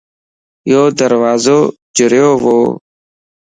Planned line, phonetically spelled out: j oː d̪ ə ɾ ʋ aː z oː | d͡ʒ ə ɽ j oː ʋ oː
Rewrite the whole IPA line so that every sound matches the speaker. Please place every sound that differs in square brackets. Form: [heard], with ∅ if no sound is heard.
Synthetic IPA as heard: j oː d̪ ə ɾ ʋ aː z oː | d͡ʒ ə [ɾ] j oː ʋ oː